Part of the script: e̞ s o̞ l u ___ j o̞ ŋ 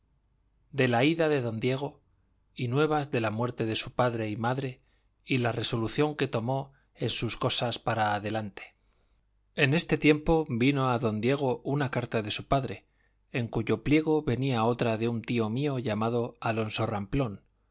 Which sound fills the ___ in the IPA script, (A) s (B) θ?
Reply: B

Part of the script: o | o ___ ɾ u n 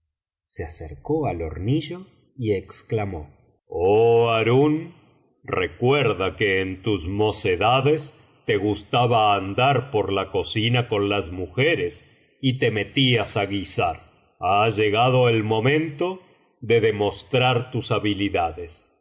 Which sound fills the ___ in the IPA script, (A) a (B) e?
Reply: A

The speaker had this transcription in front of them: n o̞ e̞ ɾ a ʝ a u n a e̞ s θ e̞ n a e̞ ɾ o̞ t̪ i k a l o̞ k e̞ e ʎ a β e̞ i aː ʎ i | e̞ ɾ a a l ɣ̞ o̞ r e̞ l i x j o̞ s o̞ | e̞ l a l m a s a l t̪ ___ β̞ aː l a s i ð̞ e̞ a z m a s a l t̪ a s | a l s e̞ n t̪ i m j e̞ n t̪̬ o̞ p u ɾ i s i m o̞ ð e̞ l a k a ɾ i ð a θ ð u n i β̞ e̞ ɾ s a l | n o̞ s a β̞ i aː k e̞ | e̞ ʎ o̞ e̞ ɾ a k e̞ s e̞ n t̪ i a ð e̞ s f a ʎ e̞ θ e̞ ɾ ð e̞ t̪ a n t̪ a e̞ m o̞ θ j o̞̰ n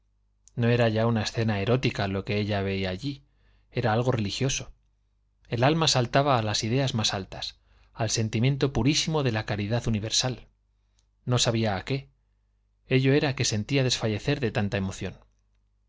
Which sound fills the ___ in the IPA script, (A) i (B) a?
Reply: B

